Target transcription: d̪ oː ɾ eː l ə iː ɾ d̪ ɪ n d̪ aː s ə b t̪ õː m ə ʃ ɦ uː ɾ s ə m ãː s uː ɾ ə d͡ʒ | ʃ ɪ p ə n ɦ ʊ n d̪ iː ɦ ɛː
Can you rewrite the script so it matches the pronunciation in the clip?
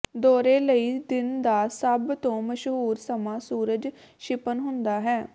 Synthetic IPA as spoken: d̪ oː ɾ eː l ə iː d̪ ɪ n d̪ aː s ə b t̪ õː m ə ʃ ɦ uː ɾ s ə m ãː s uː ɾ ə d͡ʒ | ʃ ɪ p ə n ɦ ʊ n d̪ aː ɦ ɛː